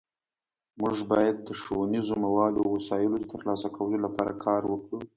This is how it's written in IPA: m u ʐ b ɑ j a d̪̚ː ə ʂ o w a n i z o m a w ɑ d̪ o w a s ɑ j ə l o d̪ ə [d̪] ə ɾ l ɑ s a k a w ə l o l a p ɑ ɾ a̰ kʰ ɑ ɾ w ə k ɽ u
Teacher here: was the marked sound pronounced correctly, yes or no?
no